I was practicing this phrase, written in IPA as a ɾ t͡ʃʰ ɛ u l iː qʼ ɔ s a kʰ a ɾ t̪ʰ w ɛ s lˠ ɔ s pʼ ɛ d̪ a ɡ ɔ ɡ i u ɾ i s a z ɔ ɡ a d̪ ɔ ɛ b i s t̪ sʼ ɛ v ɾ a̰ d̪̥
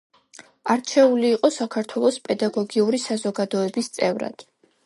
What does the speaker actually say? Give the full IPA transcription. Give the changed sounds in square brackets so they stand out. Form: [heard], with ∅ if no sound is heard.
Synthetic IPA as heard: a ɾ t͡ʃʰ ɛ u l iː qʼ ɔ s a kʰ a ɾ t̪ʰ w ɛ [∅] lˠ ɔ s pʼ ɛ d̪ a ɡ ɔ ɡ i u ɾ i s a z ɔ ɡ a d̪ ɔ ɛ b i s t̪ sʼ ɛ v ɾ a̰ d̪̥